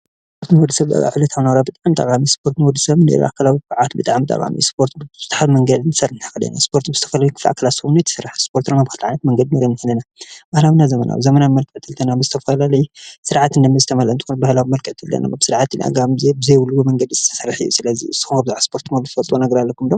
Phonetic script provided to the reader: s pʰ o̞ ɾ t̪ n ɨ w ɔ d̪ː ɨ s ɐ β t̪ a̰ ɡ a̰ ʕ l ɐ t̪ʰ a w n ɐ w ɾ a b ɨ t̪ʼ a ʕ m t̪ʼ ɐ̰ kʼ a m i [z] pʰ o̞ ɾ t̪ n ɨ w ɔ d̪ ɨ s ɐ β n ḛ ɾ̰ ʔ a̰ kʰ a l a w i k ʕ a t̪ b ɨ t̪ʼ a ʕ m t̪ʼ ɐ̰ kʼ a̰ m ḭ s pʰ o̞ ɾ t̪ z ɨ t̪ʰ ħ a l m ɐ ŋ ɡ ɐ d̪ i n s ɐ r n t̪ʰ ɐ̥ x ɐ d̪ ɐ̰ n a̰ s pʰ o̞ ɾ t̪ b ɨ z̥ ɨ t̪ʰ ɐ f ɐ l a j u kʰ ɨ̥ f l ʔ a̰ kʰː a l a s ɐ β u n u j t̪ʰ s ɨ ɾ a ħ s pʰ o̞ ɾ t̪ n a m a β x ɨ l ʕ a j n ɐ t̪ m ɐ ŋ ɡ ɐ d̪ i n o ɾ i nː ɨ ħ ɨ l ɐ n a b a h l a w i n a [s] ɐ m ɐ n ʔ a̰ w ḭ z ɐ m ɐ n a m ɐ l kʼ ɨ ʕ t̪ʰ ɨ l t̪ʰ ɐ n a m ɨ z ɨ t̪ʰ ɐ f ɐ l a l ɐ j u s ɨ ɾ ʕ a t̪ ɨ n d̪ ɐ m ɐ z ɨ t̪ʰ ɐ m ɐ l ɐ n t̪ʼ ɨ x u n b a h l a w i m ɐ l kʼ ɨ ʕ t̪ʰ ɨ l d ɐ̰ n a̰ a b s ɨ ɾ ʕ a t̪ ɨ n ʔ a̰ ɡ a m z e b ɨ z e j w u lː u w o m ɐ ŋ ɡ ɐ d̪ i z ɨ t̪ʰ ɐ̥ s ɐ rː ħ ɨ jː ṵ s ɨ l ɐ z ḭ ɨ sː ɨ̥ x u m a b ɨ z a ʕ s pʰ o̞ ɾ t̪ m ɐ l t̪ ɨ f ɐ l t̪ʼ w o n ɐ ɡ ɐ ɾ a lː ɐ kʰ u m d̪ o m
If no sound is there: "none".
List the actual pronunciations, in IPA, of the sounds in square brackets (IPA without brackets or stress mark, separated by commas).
s, z